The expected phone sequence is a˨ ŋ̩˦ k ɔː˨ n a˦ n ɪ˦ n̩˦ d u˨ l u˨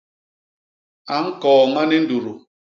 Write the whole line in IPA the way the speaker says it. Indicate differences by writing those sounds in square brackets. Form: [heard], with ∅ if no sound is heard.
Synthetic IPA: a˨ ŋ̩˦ k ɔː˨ [ŋ] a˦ n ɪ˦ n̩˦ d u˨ [ɾ] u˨